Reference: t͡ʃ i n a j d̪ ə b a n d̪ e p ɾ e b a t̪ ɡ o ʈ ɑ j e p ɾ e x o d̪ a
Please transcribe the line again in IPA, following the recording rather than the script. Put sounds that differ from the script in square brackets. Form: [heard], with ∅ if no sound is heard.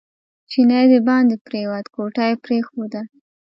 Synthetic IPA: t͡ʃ i n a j d̪ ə b [ɑ] n d̪ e p ɾ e [w] a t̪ [k] o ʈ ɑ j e p ɾ e x o d̪ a